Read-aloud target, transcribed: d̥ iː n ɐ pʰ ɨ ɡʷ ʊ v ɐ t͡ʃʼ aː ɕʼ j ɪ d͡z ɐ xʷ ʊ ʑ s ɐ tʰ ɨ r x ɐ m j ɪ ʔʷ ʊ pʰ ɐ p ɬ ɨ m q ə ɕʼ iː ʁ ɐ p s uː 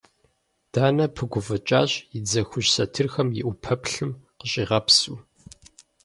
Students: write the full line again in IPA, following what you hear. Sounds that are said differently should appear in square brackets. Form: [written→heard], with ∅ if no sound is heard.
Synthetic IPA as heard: d̥ [iː→aː] n ɐ pʰ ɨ ɡʷ ʊ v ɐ t͡ʃʼ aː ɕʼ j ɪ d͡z ɐ xʷ ʊ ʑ s ɐ tʰ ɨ r x ɐ m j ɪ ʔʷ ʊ pʰ ɐ p ɬ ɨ m q ə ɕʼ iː ʁ ɐ p s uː